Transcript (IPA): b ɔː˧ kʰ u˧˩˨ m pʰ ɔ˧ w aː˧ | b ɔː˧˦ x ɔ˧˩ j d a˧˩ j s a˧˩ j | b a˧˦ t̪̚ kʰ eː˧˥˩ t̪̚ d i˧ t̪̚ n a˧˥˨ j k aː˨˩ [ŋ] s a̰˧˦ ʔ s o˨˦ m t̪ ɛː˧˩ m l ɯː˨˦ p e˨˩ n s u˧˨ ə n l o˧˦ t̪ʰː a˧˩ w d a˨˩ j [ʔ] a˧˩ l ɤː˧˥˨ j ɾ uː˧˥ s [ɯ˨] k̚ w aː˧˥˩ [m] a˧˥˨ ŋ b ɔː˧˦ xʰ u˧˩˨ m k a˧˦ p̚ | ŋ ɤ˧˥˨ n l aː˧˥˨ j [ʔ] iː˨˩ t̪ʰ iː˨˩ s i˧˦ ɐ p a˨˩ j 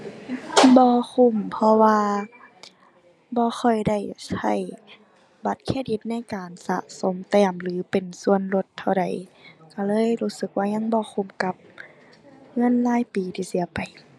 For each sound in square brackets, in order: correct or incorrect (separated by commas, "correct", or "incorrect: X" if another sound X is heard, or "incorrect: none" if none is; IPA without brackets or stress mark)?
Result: incorrect: n, incorrect: k, incorrect: ɯ˧˦, incorrect: ɲ, incorrect: p